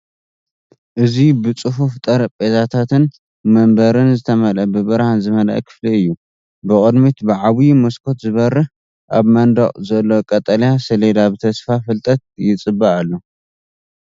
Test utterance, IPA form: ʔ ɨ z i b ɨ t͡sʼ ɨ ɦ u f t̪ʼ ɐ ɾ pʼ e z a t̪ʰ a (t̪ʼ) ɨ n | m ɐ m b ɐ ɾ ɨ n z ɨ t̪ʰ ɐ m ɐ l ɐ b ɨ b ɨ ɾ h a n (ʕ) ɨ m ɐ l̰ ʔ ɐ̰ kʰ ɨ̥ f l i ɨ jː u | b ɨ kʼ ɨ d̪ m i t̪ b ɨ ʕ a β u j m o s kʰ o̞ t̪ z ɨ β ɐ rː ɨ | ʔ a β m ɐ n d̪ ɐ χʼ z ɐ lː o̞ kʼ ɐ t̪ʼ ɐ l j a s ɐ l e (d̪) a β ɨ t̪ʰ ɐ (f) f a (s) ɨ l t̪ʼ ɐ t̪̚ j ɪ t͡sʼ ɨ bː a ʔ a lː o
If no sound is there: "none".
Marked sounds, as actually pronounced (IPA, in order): t̪, z, d̪, s, f

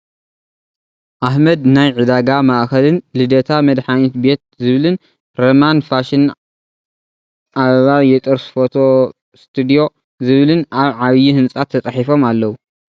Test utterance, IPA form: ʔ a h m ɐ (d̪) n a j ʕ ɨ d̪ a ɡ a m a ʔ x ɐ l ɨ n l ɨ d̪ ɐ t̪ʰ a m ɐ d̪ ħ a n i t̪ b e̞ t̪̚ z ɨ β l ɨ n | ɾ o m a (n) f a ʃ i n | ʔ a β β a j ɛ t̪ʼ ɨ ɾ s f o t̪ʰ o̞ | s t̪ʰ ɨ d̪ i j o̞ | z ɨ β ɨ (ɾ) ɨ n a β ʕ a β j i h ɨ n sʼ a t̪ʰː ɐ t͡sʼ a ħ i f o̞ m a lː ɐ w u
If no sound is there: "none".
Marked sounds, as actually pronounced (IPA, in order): d̪, n, l

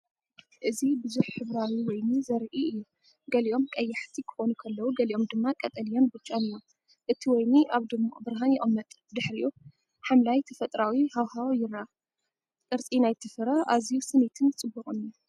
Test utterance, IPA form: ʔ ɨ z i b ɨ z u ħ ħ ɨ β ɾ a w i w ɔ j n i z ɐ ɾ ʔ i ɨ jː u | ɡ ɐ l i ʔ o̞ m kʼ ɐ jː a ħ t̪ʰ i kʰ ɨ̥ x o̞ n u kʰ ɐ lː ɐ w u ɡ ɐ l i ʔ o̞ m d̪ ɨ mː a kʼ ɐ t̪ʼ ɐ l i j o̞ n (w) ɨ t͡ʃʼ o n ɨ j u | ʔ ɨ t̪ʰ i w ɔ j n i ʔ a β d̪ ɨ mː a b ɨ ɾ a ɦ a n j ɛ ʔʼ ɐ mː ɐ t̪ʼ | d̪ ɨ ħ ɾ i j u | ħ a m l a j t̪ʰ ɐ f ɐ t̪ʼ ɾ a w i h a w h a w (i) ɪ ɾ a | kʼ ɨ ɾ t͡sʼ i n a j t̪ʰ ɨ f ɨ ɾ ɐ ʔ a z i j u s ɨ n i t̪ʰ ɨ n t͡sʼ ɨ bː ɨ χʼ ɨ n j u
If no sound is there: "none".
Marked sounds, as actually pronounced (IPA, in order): b, j

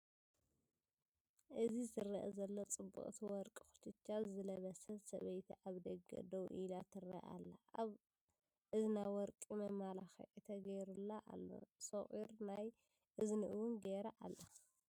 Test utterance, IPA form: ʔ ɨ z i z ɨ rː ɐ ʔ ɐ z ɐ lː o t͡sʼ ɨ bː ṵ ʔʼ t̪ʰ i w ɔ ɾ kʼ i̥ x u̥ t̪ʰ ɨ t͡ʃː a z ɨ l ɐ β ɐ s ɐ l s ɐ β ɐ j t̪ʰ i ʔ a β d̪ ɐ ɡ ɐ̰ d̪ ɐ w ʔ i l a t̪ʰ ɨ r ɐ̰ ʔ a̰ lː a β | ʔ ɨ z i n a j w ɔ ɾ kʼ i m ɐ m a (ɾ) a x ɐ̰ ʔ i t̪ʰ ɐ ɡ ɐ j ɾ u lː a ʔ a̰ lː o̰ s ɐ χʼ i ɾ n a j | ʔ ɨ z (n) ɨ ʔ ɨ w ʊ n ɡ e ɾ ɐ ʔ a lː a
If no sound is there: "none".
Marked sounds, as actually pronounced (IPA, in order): l, n

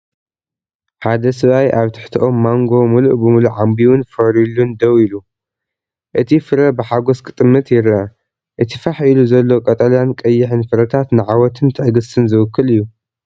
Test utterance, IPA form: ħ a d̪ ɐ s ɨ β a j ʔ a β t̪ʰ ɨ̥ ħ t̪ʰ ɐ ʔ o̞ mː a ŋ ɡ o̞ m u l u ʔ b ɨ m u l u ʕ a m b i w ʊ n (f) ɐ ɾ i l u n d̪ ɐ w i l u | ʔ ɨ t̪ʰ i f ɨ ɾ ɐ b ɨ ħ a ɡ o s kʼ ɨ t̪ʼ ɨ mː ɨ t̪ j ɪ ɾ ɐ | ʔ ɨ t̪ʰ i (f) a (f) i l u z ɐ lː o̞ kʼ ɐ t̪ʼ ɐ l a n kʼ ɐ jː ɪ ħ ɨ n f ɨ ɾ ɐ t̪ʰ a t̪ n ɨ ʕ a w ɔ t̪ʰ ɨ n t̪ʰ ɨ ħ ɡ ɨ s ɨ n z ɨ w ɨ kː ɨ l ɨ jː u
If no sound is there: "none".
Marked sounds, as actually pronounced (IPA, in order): f, f, ħ

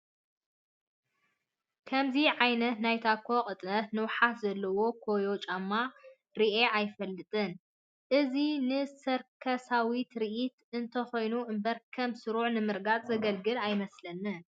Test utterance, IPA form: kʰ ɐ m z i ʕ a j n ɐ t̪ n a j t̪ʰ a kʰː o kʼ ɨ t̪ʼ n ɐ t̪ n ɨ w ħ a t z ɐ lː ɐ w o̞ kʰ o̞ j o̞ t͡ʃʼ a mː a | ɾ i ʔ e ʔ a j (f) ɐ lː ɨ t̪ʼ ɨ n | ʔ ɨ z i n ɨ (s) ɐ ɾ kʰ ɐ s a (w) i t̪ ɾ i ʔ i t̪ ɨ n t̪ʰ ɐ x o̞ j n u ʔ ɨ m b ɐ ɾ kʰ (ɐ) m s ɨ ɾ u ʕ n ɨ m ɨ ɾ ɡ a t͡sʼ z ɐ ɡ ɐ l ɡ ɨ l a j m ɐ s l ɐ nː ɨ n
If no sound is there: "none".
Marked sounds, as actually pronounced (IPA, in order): f, s, w, ɐ

